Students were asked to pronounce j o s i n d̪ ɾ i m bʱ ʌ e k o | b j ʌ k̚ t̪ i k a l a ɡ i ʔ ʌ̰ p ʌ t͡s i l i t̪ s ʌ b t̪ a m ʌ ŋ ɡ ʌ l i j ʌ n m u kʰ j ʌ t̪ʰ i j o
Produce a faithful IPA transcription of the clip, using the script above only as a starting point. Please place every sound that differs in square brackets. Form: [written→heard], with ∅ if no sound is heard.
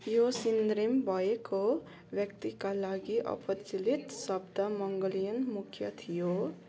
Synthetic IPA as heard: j o s i n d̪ ɾ i m bʱ ʌ e k o | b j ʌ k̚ t̪ i k a l a ɡ i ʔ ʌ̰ p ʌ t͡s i l i t̪ s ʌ b [t̪→d̪] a m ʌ ŋ ɡ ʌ l i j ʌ n m u kʰ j ʌ t̪ʰ i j o